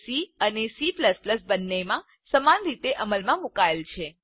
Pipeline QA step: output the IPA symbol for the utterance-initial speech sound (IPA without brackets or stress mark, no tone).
s